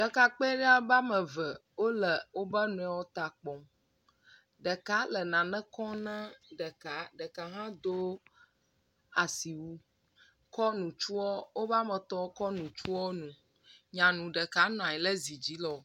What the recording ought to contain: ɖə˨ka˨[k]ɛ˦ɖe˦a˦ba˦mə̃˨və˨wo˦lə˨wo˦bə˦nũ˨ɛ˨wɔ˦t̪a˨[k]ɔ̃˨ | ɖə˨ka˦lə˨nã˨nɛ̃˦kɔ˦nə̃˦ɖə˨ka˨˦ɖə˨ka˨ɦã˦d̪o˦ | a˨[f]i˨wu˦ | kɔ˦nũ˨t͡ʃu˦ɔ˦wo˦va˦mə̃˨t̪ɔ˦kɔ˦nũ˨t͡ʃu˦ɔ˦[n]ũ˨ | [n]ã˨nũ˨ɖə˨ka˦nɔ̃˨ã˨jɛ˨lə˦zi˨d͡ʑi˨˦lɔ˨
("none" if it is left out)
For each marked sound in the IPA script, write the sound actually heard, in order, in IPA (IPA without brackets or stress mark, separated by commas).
k͡p, k͡p, s, n, ɲ